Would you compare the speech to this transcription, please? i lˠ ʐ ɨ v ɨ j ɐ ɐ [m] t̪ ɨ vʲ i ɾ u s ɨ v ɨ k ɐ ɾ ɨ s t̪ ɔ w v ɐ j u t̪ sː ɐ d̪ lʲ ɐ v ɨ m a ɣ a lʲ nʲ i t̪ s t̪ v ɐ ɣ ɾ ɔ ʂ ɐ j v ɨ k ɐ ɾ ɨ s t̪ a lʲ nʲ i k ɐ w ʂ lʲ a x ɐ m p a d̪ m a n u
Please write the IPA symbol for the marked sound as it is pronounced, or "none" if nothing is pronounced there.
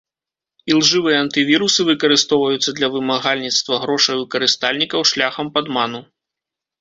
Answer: n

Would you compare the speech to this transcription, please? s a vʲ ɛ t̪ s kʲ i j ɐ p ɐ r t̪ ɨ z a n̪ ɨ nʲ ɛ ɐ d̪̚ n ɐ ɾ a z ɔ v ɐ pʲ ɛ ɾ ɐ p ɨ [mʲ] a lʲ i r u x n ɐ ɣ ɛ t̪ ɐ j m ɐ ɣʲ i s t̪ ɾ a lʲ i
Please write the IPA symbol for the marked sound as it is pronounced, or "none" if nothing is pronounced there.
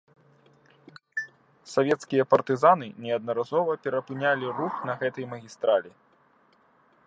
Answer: nʲ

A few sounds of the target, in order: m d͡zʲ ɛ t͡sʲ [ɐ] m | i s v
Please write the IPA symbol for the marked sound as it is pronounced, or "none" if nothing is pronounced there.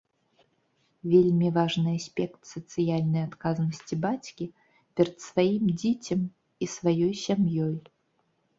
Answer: ɐ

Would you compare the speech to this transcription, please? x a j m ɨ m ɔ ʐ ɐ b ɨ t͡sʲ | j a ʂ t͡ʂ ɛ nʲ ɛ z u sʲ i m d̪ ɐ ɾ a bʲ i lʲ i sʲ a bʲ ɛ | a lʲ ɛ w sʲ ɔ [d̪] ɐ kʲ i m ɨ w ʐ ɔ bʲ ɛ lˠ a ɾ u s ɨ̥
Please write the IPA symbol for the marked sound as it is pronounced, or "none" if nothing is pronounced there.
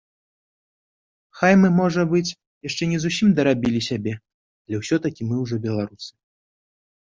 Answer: t̪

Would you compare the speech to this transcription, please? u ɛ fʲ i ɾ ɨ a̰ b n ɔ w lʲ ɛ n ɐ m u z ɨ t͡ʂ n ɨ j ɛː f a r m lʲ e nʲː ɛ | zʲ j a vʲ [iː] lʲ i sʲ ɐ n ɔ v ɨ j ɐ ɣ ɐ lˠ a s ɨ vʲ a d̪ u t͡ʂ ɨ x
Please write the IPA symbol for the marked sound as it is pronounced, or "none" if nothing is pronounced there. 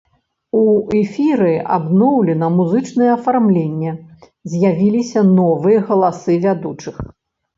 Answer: i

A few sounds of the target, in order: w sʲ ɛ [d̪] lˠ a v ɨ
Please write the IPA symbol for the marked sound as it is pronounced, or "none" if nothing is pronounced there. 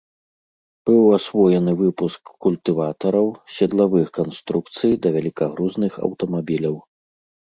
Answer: d̪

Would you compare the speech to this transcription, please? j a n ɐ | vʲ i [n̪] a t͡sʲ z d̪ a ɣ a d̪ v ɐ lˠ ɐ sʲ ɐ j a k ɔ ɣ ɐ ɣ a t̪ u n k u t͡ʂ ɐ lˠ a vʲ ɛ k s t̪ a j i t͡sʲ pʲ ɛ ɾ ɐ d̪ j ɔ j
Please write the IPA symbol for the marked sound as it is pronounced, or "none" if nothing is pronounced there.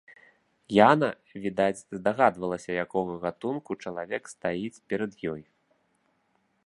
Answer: d̪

